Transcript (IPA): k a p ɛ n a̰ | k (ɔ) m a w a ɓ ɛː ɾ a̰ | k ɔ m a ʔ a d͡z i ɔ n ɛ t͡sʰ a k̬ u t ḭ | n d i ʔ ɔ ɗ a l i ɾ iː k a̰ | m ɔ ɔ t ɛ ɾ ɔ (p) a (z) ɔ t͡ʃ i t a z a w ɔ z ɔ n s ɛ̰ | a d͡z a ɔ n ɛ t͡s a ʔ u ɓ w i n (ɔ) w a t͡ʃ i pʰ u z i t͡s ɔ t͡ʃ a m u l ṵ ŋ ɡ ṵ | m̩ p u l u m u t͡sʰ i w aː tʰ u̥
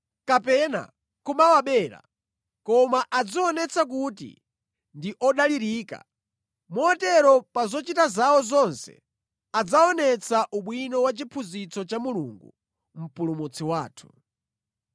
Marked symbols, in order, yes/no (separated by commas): no, yes, yes, yes